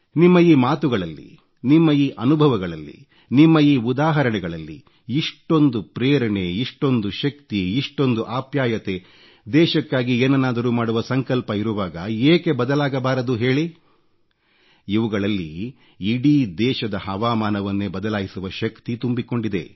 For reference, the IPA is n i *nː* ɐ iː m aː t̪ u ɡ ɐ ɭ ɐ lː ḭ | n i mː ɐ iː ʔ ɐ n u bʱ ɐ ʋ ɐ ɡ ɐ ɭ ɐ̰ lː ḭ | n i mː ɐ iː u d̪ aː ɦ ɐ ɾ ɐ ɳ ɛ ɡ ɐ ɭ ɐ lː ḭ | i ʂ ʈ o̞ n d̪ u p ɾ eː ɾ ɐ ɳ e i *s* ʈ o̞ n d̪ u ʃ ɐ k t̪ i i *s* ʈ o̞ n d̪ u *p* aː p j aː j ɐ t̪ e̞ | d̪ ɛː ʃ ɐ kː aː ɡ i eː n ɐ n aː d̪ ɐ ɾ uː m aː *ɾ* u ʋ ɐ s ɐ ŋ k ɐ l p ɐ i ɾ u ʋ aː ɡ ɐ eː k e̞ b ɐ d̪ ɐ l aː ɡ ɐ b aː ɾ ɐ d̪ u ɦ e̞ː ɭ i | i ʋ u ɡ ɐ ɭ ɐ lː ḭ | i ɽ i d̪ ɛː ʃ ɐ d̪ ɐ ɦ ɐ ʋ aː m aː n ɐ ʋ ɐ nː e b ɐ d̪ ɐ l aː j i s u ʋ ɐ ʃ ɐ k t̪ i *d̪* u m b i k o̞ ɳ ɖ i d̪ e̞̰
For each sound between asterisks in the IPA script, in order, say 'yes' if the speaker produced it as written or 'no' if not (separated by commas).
no, no, no, no, no, no